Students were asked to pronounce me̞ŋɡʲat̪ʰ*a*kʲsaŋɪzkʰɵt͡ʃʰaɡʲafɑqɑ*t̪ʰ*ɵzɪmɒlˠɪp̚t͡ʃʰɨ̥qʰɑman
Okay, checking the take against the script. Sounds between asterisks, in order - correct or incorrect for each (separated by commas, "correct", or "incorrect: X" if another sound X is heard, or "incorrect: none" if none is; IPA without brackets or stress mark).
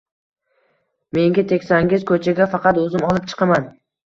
incorrect: e, incorrect: t̪